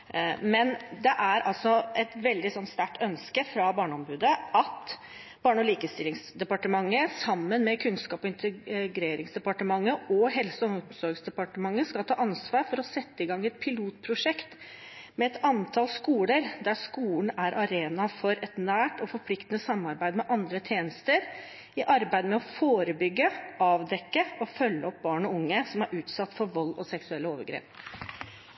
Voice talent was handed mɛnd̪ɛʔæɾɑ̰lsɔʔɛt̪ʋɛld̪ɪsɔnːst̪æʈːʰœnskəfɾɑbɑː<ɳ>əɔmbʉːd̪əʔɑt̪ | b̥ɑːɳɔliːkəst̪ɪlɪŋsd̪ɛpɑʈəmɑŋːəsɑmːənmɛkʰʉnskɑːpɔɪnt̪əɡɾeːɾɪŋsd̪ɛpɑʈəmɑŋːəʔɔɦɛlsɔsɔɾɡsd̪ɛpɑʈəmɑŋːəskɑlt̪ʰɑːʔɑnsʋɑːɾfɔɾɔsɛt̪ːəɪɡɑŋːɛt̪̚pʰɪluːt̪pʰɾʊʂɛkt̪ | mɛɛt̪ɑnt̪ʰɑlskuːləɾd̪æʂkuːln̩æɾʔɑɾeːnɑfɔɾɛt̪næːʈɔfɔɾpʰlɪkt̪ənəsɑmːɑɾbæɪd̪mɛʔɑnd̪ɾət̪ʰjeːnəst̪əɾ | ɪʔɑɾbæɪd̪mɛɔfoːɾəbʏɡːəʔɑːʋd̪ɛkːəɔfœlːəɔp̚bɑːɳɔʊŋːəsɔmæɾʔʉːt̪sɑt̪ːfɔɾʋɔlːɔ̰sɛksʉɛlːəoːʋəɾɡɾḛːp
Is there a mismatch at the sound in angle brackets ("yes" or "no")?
no